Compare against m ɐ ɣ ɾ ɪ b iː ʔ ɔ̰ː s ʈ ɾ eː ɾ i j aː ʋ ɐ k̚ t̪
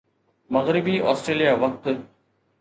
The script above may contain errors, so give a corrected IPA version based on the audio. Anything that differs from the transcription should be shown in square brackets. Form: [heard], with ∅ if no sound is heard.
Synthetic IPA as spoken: m ɐ ɣ ɾ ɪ b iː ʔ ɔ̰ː s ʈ ɾ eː [l] i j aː ʋ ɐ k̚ t̪